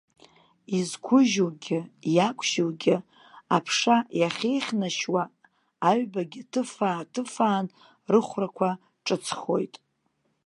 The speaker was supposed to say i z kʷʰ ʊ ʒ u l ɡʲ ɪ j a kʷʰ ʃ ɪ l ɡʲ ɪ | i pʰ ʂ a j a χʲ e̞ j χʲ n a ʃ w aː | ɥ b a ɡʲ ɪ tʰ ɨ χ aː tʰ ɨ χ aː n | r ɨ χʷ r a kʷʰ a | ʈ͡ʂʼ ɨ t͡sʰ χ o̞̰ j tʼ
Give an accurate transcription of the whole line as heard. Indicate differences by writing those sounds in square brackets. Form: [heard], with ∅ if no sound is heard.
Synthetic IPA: i z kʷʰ ʊ ʒ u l ɡʲ ɪ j a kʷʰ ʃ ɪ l ɡʲ ɪ | [a] pʰ ʂ a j a χʲ e̞ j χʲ n a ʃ w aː | ɥ b a ɡʲ ɪ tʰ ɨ [f] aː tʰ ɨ [f] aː n | r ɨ χʷ r a kʷʰ a | ʈ͡ʂʼ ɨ t͡sʰ χ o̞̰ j tʼ